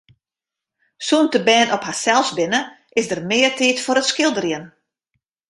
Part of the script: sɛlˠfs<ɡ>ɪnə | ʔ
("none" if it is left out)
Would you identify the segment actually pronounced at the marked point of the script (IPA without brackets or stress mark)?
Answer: b